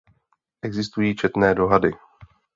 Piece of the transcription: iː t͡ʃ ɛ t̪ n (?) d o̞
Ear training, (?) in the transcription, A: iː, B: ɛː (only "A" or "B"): B